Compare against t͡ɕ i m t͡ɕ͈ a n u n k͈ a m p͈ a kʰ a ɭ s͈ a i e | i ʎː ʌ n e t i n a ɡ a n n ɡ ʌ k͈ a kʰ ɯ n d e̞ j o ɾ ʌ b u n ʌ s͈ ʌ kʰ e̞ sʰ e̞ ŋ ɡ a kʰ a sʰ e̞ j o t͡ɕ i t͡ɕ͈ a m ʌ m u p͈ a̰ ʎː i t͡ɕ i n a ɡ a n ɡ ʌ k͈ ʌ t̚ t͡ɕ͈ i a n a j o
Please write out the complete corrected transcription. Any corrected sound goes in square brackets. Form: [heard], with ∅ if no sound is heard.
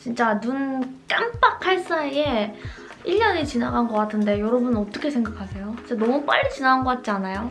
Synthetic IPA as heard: t͡ɕ i [n] t͡ɕ͈ a n u n k͈ a m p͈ a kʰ a ɭ s͈ a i e | i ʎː ʌ n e [t͡ɕ] i n a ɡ a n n ɡ ʌ k͈ a [tʰ] ɯ n d e̞ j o ɾ ʌ b u n ʌ [t͈] ʌ kʰ e̞ sʰ e̞ ŋ ɡ a kʰ a sʰ e̞ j o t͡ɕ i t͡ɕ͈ a [n] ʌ m u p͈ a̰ ʎː i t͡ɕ i n a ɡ a n ɡ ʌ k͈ [a] t̚ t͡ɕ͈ i a n a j o